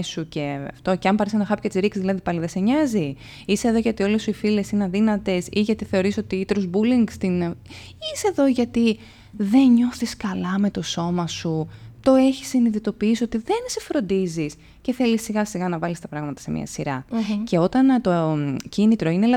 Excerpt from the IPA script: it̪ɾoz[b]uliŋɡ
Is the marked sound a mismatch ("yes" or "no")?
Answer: no